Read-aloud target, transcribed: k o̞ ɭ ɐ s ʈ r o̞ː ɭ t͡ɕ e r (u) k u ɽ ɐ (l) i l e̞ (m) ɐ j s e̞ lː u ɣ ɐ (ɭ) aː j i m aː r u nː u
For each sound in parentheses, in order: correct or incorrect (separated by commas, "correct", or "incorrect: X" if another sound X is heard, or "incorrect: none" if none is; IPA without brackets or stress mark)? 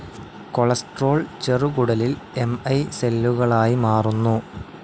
correct, correct, correct, correct